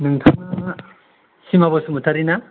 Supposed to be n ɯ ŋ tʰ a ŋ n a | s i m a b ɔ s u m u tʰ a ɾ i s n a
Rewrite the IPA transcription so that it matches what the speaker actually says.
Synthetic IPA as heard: n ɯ ŋ tʰ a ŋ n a | s i m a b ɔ s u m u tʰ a ɾ i n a